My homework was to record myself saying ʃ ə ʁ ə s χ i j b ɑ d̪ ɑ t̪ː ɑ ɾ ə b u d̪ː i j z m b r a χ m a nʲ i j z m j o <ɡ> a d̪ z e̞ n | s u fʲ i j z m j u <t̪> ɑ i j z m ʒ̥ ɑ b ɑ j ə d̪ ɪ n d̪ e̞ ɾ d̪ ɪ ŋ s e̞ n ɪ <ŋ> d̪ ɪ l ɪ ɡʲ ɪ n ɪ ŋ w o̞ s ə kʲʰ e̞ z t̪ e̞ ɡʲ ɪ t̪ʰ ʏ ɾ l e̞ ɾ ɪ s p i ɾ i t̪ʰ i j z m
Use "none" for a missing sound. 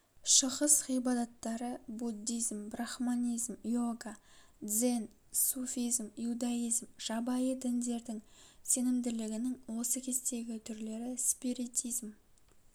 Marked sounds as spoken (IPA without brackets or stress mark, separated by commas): ɡ, d̪, m